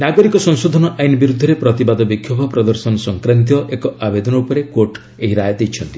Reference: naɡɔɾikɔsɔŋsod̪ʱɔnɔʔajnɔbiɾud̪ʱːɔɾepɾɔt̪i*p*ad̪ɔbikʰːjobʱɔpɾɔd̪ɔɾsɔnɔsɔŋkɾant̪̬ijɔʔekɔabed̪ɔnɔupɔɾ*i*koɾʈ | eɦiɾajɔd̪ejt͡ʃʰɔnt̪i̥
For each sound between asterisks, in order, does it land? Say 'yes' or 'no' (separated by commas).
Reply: no, no